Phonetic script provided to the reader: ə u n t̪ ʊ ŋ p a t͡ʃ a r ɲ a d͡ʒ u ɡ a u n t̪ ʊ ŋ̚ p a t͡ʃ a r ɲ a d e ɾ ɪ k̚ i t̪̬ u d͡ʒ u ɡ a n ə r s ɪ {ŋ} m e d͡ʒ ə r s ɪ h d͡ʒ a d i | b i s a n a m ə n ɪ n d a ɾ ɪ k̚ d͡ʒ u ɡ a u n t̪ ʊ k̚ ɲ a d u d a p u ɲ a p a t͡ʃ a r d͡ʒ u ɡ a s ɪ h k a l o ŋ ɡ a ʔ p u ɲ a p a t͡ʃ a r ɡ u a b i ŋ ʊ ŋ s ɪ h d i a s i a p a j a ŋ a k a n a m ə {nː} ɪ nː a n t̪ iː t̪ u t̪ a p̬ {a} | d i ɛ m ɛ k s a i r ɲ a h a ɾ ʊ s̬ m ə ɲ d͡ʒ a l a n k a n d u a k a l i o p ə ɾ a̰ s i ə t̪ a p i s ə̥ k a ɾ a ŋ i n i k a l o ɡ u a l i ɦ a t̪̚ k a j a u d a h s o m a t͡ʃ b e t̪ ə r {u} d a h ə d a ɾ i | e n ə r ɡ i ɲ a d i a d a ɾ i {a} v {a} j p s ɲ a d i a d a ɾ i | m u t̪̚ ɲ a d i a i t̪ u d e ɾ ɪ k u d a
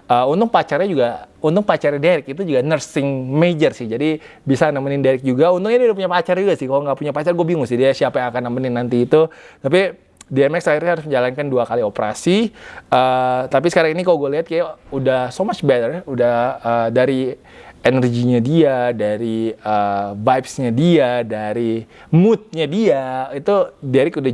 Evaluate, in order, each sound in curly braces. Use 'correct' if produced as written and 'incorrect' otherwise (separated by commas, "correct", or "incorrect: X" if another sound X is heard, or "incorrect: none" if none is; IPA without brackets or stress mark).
correct, incorrect: n, incorrect: i, correct, incorrect: ə, correct